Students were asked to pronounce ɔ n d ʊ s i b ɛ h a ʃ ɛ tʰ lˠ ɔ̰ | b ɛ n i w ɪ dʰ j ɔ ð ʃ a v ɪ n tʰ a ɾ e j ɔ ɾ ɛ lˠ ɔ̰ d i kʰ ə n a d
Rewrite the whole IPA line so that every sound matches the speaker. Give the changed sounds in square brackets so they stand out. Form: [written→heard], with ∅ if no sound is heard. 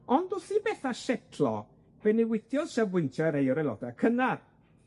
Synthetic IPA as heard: ɔ n d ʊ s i b ɛ [h→θ] a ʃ ɛ tʰ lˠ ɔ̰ | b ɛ n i w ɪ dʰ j ɔ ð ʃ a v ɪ n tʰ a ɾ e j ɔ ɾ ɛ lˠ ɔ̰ d [i→a] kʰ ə n a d